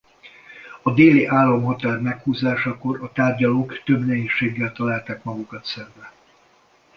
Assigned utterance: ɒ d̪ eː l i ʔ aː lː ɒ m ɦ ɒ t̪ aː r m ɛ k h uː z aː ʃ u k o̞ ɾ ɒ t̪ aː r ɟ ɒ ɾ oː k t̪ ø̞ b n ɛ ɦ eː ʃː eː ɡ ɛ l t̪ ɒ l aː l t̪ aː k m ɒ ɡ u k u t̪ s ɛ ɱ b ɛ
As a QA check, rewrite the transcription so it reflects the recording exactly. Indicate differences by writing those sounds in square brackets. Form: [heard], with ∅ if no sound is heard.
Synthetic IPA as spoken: ɒ d̪ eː l i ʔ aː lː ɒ m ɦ ɒ t̪ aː r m ɛ k h uː z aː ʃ [ɒ] k o̞ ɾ ɒ t̪ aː r ɟ ɒ [l] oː k t̪ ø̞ b n ɛ ɦ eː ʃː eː [ɡː] ɛ l t̪ ɒ l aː l t̪ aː k m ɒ ɡ u k [ɒ] t̪ s ɛ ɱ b ɛ